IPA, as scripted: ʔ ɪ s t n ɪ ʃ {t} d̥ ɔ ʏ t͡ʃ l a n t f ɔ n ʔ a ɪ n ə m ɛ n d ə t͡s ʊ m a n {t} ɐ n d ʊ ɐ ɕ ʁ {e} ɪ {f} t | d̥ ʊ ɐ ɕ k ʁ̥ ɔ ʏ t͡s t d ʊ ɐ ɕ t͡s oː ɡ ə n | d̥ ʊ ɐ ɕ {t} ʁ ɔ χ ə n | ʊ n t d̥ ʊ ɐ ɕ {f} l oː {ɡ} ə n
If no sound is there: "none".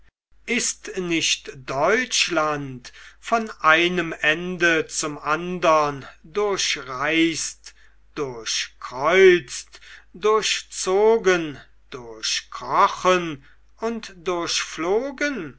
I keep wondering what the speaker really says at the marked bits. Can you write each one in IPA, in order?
t, d, a, s, k, f, ɡ

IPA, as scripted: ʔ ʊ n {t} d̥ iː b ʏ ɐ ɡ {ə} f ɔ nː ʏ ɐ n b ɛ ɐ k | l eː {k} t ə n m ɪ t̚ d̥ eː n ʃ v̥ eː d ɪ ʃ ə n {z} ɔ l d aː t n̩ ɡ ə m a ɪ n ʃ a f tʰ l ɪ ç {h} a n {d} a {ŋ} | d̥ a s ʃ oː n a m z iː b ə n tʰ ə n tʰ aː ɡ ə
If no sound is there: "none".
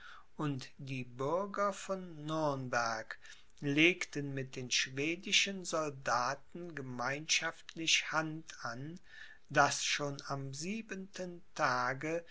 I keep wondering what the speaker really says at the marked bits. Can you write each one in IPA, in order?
t, ɐ, k, z, h, t, n

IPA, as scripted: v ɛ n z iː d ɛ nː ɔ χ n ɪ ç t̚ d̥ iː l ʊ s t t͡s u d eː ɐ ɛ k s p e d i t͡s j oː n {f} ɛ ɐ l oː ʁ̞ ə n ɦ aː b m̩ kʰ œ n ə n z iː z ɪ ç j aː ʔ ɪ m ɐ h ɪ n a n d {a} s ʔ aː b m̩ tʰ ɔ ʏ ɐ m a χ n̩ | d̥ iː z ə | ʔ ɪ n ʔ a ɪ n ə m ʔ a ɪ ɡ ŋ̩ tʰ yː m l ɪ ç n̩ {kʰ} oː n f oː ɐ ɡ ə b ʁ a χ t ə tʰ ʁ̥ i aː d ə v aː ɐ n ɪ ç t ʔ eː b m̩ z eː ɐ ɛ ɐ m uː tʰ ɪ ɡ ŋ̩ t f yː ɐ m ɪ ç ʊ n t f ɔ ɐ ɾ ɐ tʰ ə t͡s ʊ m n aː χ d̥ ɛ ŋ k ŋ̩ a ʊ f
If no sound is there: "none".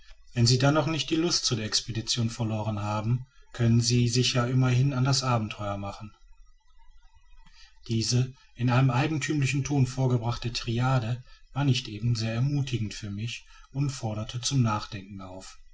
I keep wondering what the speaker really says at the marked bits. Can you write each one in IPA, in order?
f, a, tʰ

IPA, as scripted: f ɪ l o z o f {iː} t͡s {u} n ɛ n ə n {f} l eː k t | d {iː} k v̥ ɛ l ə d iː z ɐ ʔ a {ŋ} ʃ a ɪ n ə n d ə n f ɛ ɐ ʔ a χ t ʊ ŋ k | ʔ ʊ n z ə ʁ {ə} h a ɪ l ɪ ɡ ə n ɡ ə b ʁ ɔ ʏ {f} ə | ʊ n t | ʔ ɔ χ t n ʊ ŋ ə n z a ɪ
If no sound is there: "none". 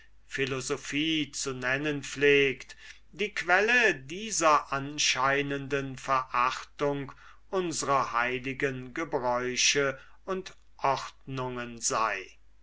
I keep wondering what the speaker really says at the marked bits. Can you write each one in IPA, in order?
iː, u, f, iː, n, ɐ, ʃ

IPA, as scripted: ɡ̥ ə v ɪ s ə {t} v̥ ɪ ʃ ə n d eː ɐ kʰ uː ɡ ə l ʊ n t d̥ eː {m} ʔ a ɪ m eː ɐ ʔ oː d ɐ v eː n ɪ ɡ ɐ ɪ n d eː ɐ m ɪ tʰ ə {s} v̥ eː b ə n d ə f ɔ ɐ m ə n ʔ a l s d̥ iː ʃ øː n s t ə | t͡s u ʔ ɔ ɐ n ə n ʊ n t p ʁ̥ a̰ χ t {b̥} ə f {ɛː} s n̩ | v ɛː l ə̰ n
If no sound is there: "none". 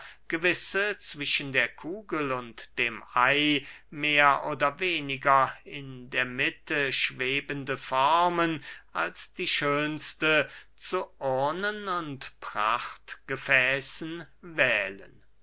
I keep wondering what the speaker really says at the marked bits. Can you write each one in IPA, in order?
t͡s, m, ʃ, ɡ̥, ɛː

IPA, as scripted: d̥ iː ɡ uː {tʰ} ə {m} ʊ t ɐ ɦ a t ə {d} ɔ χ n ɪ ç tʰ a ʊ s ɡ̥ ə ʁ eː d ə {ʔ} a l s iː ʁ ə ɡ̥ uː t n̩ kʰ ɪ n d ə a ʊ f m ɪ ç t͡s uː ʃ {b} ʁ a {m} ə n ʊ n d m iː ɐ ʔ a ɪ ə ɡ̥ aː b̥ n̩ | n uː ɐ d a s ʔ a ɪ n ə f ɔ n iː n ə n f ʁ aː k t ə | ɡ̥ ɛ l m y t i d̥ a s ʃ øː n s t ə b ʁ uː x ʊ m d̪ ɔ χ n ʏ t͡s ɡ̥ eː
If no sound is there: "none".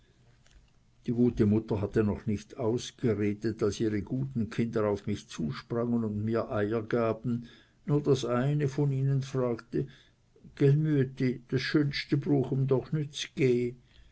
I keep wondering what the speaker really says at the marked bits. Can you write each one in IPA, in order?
t, m, n, t, p, ŋ

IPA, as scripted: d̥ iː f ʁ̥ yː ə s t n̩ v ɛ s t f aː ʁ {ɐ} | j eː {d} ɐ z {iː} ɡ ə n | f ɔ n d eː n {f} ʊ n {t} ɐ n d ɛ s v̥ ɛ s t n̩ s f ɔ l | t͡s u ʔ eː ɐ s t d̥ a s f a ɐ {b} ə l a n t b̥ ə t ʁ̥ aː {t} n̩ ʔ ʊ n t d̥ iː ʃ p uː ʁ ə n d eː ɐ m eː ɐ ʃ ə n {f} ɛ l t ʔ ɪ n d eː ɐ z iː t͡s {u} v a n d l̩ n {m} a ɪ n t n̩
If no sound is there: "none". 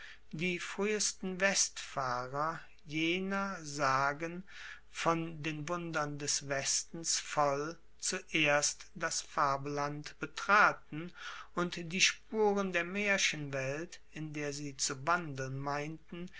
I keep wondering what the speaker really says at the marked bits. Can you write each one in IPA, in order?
ɐ, n, aː, v, d, b, t, v, u, m

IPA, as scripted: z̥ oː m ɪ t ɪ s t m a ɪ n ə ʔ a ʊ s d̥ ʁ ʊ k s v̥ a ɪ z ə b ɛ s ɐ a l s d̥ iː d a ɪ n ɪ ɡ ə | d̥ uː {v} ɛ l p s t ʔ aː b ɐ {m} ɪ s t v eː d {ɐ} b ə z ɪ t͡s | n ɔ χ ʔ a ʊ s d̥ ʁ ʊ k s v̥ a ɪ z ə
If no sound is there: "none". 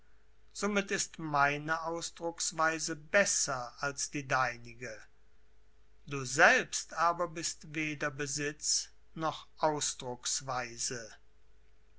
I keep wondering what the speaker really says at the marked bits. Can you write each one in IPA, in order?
z, b, ɐ

